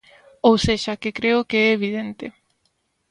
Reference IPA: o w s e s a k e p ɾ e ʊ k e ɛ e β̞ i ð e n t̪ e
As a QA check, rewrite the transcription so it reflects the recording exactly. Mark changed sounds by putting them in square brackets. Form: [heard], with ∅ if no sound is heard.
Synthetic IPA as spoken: o w s e [ʃ] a k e [k] ɾ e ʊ k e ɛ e β̞ i ð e n t̪ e

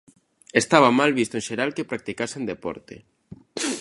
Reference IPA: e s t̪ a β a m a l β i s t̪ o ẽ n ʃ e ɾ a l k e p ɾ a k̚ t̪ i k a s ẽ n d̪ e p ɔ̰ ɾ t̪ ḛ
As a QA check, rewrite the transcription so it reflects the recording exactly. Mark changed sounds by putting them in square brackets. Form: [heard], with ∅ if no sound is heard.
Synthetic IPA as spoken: e s t̪ a β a m a l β i s t̪ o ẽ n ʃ e ɾ a l k e p ɾ a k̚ t̪ i k a s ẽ n d̪ e p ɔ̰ ɾ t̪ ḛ

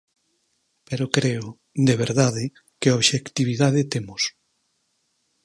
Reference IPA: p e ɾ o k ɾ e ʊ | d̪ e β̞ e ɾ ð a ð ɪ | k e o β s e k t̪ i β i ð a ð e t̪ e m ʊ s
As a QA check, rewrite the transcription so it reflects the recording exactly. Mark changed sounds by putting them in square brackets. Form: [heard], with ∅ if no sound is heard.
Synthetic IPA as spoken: p e ɾ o k ɾ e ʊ | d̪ e β̞ e ɾ ð a ð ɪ | k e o β [ʃ] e k t̪ i β i ð a ð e t̪ e m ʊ s

